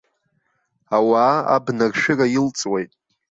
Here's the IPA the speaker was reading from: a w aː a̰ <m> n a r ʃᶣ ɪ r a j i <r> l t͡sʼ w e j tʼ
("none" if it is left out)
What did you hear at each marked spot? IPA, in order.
b, none

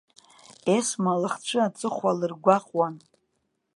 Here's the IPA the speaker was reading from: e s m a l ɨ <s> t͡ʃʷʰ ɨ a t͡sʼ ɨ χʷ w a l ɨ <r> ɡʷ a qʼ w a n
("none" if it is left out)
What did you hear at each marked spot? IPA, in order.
χ, r

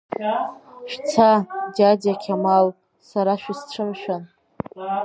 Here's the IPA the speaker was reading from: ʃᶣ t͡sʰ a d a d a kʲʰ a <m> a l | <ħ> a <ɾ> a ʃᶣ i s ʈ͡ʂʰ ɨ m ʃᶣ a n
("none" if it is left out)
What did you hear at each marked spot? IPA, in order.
m, s, ɾ

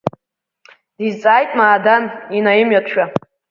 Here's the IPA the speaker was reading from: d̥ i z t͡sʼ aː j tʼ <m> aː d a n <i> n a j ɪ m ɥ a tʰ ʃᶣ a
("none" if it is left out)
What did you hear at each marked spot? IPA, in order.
m, i

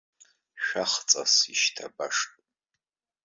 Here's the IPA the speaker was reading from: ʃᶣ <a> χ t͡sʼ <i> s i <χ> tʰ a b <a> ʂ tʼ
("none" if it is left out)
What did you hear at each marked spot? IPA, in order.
a, a, ʃ, a

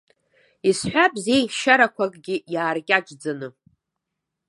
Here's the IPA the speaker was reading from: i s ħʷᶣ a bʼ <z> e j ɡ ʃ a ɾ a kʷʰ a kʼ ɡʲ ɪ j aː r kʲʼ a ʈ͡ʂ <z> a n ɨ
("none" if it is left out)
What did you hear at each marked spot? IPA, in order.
z, d͡z

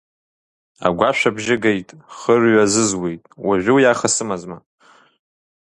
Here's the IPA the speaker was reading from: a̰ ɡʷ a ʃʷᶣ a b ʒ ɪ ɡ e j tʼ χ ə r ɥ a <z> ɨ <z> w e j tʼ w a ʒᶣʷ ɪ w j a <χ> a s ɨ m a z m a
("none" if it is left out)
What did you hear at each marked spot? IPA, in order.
z, z, χ

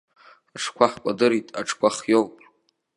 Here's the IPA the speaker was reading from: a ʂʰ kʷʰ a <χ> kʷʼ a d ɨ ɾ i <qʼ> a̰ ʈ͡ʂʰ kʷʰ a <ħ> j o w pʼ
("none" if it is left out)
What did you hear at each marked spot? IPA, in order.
ħ, tʼ, χ

